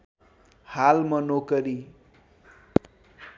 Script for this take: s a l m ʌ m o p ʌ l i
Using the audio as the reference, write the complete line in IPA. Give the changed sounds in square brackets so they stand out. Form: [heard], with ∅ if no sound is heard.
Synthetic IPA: [h] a l m ʌ [n] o [k] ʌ [ɾ] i